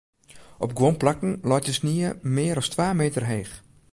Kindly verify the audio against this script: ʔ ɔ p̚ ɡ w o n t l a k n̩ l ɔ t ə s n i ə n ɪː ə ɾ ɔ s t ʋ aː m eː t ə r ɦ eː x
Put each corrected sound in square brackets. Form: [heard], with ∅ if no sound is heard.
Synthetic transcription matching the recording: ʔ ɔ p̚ ɡ w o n [p] l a k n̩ l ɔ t ə s n i ə [m] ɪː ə ɾ ɔ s t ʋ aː m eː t ə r ɦ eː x